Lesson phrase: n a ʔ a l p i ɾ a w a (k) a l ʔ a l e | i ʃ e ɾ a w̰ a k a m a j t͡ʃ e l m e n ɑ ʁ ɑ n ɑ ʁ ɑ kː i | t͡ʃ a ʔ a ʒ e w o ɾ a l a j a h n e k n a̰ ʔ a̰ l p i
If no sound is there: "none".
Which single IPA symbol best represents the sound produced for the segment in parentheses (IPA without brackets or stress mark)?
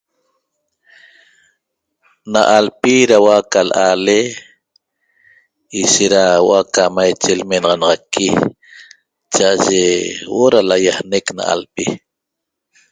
k